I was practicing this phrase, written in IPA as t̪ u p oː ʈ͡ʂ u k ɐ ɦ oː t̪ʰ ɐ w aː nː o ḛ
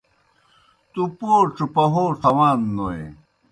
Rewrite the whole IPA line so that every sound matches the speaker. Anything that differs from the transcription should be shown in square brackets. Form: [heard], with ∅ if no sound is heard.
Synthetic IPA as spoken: t̪ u p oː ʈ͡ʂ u [p] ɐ ɦ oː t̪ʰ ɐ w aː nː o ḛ